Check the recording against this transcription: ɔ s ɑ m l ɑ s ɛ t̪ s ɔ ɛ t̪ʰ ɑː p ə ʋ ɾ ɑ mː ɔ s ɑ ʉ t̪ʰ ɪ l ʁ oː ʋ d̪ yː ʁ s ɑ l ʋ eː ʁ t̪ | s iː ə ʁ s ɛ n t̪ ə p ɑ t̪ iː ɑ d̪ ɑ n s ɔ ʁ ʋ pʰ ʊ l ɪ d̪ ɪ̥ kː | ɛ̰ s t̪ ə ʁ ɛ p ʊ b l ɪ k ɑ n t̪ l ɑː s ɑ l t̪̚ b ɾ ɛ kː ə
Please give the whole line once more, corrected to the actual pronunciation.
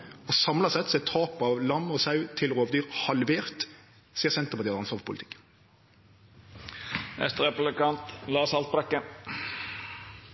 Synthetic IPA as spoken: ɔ s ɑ m l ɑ s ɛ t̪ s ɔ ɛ t̪ʰ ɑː p ɑ ʋ l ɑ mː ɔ s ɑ ʉ t̪ʰ ɪ l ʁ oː ʋ d̪ yː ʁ h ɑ l ʋ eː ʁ t̪ | s iː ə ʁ s ɛ n t̪ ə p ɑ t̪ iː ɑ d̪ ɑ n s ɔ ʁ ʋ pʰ ʊ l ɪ t̪ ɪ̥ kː | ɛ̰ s t̪ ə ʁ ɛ p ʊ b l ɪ k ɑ n t̪ l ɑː s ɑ l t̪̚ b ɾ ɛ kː ə